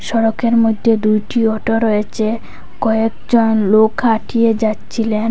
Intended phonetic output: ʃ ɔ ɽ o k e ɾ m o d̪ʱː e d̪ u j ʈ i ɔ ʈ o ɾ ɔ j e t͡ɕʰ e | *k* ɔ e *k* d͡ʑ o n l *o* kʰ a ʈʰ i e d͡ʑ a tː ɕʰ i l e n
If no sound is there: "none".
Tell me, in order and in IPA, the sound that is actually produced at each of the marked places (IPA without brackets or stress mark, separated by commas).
k, k, o